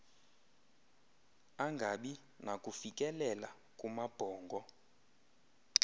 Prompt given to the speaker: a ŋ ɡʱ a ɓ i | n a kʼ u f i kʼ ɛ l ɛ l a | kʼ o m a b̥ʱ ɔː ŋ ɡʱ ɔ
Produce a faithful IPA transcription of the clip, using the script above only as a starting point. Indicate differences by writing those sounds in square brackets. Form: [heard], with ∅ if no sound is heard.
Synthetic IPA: a ŋ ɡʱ a ɓ i | n a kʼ u f i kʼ ɛ l ɛ l a | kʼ [u] m a b̥ʱ ɔː ŋ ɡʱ ɔ